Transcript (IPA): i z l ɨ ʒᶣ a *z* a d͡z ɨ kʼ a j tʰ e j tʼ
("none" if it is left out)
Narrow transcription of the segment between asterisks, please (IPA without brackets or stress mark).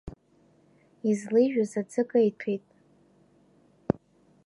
z